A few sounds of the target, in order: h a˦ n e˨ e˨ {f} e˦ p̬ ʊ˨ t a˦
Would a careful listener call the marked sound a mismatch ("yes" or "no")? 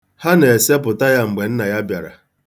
yes